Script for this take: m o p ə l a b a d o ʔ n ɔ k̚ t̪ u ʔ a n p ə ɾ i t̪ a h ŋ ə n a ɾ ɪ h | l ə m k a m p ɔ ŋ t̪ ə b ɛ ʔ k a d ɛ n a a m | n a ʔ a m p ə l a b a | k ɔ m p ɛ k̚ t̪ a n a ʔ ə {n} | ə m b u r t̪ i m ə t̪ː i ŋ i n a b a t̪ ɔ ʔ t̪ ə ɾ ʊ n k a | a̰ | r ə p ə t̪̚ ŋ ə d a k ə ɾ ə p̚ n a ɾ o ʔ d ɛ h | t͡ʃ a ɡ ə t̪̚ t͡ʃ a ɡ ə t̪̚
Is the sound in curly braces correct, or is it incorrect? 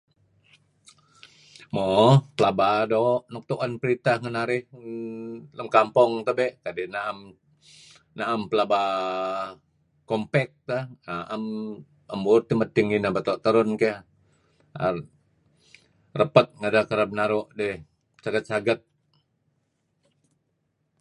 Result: incorrect